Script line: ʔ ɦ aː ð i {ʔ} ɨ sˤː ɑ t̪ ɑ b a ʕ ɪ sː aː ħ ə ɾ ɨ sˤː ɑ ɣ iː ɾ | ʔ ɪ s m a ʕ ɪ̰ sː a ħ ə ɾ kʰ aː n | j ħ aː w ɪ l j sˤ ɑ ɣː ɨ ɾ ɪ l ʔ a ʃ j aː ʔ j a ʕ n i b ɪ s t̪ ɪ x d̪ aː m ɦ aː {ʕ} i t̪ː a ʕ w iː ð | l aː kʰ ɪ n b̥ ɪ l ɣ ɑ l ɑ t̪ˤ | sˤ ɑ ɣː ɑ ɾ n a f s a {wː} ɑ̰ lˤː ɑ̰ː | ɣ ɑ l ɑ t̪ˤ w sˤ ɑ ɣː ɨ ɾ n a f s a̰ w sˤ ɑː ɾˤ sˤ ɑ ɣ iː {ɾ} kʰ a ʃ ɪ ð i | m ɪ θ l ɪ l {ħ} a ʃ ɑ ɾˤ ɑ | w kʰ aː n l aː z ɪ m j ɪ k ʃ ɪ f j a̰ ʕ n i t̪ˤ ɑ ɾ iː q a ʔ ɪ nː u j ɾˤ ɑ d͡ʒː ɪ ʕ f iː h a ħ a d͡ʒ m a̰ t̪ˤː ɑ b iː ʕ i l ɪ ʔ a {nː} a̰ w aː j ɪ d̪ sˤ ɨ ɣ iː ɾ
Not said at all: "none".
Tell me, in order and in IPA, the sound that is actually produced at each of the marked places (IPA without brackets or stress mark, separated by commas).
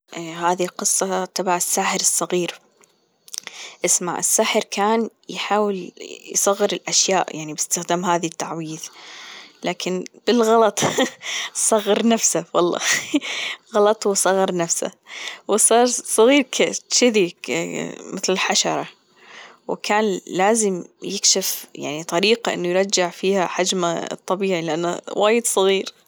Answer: q, ð, w, ɾ, ħ, nː